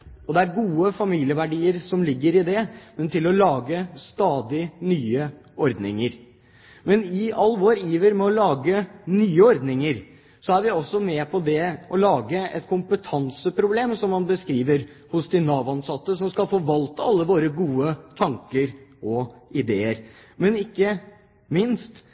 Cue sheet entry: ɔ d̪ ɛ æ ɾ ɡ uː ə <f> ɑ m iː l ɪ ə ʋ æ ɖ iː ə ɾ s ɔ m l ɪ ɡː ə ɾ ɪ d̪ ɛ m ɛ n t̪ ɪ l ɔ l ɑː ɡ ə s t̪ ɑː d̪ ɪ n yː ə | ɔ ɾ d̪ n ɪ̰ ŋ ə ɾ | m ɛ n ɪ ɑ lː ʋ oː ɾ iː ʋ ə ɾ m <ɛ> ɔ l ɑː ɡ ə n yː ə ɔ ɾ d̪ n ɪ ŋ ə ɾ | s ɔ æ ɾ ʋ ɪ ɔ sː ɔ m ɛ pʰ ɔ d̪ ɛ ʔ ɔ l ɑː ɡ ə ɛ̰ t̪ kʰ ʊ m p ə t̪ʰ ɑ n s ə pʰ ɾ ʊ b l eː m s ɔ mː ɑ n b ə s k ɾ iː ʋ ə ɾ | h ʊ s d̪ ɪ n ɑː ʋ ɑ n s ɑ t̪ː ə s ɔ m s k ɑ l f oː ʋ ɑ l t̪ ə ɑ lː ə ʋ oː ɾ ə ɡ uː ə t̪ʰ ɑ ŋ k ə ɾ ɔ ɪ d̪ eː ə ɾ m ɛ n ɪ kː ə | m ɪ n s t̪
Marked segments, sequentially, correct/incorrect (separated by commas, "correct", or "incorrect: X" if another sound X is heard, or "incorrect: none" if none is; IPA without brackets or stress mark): correct, correct